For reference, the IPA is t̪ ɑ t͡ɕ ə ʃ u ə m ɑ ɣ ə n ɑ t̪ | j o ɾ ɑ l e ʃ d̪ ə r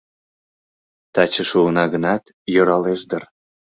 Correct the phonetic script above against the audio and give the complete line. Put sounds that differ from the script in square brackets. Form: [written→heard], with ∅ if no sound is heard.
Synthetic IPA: t̪ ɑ t͡ɕ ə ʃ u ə [m→n] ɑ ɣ ə n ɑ t̪ | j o ɾ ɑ l e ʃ d̪ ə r